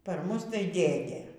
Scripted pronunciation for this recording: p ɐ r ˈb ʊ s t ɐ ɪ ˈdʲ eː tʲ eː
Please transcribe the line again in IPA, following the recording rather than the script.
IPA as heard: p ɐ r ˈm ʊ s t ɐ ɪ ˈdʲ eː dʲ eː